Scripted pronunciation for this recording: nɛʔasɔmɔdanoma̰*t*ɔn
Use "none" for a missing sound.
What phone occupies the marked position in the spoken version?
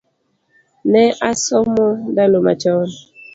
t͡ʃ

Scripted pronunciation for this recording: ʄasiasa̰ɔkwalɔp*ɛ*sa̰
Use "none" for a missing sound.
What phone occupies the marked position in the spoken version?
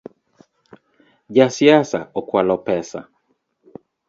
ɛ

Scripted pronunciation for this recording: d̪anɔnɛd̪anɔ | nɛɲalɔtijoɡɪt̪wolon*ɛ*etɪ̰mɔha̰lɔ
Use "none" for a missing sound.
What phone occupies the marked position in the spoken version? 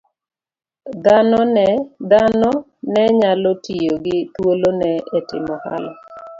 ɛ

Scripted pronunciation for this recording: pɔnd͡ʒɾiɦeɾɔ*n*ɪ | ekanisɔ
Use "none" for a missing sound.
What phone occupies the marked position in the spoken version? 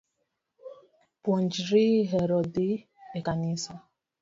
d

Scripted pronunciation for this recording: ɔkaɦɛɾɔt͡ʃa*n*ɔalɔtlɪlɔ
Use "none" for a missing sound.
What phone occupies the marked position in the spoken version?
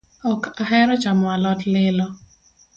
m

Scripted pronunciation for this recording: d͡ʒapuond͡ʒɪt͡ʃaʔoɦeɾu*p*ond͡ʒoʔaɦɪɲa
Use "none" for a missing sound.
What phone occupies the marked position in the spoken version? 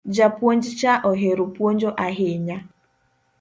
p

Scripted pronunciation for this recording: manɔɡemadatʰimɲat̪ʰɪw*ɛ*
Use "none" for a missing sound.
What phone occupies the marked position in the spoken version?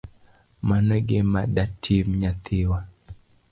a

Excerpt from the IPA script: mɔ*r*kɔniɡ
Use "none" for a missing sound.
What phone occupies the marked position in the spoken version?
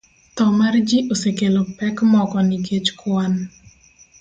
none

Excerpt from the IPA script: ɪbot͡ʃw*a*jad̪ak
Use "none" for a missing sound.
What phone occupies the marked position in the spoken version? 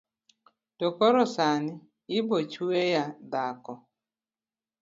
e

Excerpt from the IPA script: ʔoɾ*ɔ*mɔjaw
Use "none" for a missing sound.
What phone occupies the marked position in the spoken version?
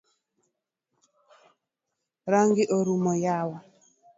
u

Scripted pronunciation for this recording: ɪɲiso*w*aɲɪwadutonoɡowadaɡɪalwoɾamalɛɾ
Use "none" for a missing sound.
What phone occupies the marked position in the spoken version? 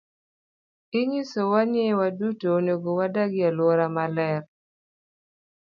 w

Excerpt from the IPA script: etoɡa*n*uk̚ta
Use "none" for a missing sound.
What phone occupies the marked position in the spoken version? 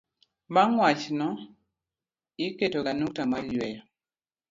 n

